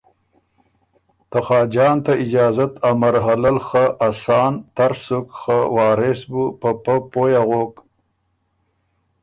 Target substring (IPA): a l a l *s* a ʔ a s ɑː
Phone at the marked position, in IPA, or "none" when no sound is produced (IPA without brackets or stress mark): x